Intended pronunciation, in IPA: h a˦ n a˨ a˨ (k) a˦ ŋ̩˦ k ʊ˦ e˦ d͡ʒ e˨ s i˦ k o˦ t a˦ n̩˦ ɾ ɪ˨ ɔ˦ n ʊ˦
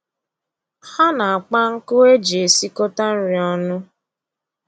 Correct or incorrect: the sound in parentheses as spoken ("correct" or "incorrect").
incorrect